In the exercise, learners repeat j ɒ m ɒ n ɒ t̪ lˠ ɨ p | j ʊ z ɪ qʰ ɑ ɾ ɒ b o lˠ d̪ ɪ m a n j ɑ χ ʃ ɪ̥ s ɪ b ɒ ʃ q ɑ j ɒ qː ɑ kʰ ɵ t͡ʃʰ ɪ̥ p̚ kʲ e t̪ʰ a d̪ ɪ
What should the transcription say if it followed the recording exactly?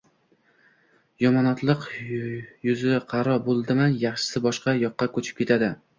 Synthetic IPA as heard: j ɒ m ɒ n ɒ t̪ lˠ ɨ q | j ʊ z ɪ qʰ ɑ ɾ ɒ b o lˠ d̪ ɪ m a n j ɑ χ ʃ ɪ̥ s ɪ b ɒ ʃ q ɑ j ɒ qː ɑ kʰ ɵ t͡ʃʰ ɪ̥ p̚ kʲ e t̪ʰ a d̪ ɪ